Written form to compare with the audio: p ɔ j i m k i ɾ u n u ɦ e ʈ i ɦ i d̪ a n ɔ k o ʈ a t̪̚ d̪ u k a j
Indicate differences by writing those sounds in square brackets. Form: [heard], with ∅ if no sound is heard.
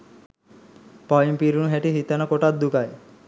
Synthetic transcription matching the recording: p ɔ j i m [p] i ɾ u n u ɦ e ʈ i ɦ i [t̪] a n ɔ k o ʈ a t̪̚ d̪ u k a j